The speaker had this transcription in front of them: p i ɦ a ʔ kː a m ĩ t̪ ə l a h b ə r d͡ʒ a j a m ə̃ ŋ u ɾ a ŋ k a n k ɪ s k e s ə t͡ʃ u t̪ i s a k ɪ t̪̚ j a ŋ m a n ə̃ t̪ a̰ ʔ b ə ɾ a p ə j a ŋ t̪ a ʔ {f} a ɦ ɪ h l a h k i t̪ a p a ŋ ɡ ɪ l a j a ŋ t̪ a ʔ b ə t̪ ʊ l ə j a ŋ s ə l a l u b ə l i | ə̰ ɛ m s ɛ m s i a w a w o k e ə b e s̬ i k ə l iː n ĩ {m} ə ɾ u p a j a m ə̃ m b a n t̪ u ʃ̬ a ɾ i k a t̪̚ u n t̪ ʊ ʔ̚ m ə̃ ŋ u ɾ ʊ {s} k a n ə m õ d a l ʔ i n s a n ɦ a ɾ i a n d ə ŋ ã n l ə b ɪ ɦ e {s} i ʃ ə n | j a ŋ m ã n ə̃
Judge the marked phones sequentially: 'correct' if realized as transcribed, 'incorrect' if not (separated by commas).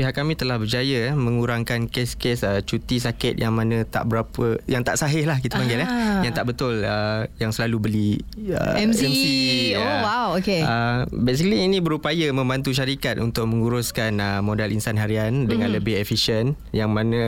incorrect, incorrect, correct, incorrect